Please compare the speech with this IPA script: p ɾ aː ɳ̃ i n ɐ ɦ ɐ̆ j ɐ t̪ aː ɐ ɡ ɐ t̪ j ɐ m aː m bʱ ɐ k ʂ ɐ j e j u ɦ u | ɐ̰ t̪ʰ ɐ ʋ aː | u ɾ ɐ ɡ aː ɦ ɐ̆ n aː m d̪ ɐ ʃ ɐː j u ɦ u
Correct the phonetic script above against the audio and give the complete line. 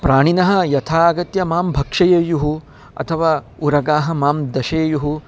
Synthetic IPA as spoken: p ɾ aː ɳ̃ i n ɐ ɦ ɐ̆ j ɐ t̪ʰ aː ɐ ɡ ɐ t̪ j ɐ m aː m bʱ ɐ k ʂ ɐ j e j u ɦ u | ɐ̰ t̪ʰ ɐ ʋ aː | u ɾ ɐ ɡ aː ɦ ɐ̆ m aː m d̪ ɐ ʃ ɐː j u ɦ u